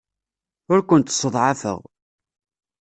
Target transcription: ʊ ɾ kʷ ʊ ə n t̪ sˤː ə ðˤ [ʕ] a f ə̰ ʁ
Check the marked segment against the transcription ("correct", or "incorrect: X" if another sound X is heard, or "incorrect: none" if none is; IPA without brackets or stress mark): correct